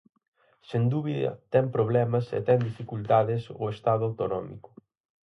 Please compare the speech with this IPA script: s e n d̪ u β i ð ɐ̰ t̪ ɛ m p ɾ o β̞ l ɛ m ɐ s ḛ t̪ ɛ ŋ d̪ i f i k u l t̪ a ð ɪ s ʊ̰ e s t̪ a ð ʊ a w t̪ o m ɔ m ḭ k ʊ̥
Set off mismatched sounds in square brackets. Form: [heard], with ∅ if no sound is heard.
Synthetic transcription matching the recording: s e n d̪ u β i ð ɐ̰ t̪ ɛ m p ɾ o β̞ l ɛ m ɐ s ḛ t̪ ɛ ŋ d̪ i f i k u l t̪ a ð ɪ s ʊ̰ e s t̪ a ð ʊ a w t̪ o [n] ɔ m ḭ k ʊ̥